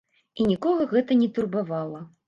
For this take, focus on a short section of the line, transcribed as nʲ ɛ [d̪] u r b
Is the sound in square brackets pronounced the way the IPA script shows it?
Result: no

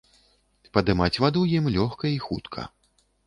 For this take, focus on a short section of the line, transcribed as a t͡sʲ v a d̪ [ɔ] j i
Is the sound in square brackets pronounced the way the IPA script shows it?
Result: no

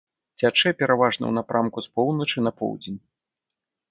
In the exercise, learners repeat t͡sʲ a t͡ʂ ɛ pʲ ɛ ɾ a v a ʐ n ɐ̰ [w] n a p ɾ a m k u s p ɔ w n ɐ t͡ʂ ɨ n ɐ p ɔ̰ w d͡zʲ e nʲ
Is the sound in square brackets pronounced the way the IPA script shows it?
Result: yes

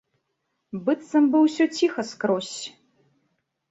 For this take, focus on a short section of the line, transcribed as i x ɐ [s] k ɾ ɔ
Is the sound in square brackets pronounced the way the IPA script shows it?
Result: yes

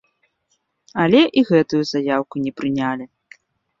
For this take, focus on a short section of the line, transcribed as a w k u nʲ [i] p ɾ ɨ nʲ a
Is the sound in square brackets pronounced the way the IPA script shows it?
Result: no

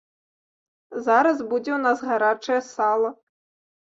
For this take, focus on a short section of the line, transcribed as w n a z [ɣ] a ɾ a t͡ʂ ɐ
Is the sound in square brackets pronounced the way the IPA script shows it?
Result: yes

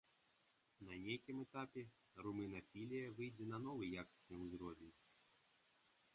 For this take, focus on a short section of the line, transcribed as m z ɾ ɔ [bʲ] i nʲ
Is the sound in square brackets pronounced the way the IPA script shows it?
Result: no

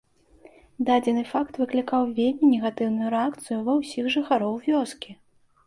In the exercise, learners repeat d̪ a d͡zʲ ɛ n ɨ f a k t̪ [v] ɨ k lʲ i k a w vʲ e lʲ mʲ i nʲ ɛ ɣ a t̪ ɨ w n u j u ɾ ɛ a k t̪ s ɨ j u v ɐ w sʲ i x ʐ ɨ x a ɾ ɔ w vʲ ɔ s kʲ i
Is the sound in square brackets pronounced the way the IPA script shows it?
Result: yes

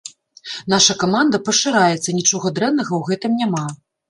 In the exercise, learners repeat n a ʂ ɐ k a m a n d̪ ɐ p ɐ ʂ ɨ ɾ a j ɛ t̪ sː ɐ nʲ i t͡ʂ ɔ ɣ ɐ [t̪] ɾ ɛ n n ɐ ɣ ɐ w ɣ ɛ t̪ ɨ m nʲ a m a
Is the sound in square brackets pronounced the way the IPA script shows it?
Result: no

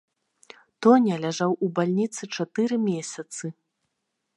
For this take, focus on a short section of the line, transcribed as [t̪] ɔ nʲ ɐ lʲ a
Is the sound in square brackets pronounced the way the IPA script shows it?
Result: yes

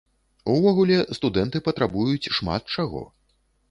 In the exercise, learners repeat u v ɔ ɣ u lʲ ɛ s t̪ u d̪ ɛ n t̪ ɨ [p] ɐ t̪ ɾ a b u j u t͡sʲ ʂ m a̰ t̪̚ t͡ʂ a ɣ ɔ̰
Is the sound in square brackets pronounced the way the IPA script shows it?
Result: yes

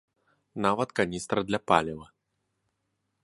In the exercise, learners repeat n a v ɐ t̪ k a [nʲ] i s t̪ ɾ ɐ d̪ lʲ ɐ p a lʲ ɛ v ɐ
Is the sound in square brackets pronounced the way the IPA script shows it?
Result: yes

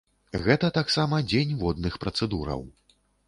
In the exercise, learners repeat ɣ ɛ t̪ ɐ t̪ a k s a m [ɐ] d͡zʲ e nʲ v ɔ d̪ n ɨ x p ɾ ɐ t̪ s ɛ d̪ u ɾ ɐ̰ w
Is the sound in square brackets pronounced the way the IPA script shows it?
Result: yes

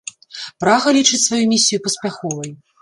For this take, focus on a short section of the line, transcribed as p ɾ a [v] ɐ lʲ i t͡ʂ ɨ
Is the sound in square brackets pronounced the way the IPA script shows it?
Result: no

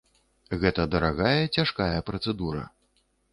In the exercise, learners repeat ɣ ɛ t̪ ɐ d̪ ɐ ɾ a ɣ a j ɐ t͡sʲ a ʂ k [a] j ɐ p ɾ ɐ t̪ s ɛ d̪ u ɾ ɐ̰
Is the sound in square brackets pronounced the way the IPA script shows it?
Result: yes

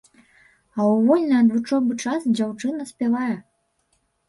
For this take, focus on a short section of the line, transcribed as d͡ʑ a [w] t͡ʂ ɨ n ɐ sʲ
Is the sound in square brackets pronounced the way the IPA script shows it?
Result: yes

